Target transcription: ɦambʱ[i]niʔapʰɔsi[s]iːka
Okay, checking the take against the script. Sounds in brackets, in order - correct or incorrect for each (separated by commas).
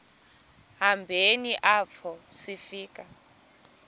incorrect, incorrect